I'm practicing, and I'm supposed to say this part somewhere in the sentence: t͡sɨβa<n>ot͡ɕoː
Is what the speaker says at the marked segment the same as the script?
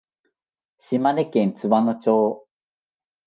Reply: yes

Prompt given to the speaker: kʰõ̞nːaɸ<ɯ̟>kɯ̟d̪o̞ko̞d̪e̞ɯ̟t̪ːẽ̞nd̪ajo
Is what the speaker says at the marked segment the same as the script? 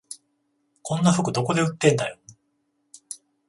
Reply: yes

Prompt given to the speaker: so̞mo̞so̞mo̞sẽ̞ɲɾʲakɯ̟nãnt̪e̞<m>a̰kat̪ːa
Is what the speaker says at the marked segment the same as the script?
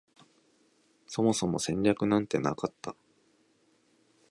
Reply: no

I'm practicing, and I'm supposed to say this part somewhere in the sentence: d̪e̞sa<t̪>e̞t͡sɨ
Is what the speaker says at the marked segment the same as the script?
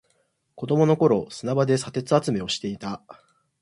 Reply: yes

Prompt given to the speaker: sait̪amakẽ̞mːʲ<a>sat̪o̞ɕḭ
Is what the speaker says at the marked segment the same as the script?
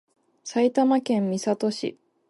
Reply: no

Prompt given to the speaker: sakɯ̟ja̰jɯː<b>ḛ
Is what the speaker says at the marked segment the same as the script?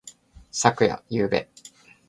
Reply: yes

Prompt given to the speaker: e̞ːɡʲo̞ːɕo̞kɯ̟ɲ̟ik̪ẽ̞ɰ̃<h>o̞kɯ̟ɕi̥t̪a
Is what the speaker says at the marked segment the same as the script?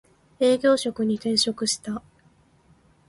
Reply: no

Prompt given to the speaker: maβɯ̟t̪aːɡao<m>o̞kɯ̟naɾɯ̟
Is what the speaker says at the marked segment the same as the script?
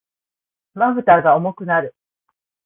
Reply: yes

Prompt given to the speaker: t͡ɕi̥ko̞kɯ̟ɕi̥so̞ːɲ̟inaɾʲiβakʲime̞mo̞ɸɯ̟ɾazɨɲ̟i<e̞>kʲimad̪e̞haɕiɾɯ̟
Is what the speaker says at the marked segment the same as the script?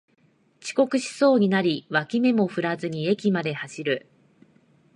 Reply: yes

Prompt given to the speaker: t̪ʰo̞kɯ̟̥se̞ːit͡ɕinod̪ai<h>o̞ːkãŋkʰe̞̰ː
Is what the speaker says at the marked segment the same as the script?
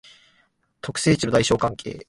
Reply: no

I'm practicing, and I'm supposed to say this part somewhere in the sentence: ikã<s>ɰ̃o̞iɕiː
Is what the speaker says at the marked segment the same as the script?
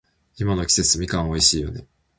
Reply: no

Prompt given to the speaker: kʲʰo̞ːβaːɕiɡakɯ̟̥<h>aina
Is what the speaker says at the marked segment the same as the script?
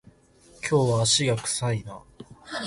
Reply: no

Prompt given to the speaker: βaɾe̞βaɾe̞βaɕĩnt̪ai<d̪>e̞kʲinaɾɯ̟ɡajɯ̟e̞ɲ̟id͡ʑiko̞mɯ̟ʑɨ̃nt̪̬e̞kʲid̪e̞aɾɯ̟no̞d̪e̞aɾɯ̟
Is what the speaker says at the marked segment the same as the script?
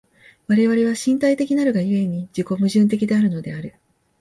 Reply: no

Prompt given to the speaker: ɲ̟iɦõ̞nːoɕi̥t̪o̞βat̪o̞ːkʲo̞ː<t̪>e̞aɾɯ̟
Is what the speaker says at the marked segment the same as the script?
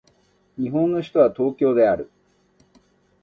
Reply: no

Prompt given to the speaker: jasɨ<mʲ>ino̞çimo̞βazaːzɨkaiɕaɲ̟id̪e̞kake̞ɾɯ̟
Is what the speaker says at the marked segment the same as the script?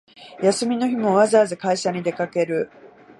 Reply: yes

